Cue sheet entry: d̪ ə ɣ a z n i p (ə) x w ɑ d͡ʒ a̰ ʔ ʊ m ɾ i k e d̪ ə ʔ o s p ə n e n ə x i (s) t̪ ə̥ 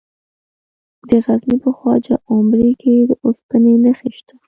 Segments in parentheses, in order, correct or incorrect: correct, incorrect

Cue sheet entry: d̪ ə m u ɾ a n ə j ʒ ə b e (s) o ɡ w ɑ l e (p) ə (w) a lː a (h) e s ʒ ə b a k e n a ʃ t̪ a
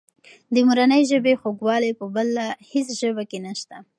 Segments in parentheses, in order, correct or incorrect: incorrect, correct, incorrect, correct

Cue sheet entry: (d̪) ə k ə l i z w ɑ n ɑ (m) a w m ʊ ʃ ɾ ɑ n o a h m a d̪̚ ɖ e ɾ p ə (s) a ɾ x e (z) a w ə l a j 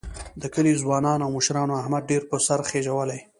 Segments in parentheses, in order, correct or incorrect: correct, incorrect, correct, incorrect

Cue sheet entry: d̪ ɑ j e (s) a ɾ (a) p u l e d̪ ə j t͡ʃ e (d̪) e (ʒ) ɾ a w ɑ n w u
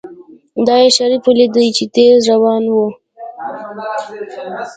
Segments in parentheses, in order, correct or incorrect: incorrect, incorrect, incorrect, incorrect

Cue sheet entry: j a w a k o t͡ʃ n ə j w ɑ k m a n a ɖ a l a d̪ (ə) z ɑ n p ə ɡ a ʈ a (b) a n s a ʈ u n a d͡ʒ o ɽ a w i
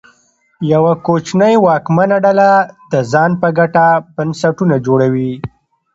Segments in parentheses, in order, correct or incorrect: correct, correct

